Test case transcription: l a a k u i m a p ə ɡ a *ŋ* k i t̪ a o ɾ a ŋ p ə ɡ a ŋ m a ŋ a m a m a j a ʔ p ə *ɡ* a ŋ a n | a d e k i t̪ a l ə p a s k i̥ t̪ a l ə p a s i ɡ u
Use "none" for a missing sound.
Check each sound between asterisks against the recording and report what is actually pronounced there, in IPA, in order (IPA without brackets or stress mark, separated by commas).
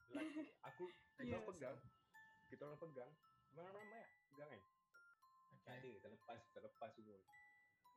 ŋ, ɡ